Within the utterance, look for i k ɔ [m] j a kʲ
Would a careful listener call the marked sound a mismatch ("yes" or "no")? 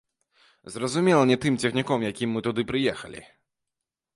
no